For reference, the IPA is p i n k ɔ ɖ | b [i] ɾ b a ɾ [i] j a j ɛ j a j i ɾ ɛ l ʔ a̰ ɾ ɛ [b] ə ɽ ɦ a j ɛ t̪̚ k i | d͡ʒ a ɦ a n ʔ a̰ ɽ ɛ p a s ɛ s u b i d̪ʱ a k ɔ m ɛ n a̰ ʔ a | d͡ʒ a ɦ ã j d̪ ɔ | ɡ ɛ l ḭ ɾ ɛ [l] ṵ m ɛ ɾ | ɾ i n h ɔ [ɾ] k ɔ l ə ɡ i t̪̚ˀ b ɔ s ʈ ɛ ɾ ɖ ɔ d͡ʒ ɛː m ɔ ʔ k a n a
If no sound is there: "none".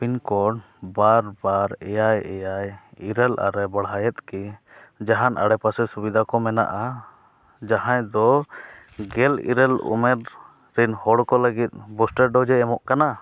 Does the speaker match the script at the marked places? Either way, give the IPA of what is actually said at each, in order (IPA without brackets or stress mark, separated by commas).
a, ɛ, b, l, ɽ